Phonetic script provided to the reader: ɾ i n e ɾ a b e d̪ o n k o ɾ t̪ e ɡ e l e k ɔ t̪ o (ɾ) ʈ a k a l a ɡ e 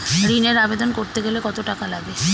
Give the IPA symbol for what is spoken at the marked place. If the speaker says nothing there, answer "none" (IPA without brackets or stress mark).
none